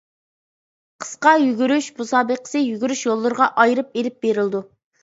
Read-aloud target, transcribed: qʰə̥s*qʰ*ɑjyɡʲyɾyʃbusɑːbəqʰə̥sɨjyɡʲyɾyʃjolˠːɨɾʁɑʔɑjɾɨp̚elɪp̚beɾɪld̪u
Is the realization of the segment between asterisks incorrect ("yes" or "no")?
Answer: yes